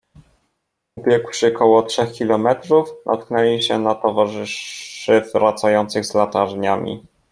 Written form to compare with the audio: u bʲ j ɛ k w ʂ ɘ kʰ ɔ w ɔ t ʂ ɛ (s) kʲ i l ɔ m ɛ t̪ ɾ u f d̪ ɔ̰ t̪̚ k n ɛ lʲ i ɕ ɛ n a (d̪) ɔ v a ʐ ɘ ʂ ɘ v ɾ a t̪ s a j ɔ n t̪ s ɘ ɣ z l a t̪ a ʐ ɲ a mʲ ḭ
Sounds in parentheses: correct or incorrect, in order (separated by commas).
incorrect, incorrect